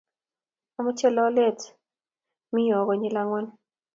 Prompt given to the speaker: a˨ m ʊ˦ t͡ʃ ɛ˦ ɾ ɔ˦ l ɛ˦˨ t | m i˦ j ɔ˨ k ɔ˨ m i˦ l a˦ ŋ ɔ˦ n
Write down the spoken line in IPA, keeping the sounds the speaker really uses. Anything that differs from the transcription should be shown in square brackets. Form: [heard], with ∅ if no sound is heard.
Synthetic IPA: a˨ m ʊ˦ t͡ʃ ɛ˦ [l] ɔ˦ l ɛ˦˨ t | m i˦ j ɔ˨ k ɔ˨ [ɲ] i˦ l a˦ ŋ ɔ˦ n